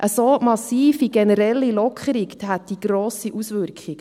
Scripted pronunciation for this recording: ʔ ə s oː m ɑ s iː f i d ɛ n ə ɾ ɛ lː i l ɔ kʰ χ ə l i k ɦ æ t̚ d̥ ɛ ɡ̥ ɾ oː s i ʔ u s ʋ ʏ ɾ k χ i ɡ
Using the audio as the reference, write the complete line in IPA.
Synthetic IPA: ʔ ə s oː m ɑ s iː f i ɡ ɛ n ə ɾ ɛ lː i l ɔ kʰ χ ə ɾ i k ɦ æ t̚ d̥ i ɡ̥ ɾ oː s i ʔ u s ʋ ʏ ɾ k χ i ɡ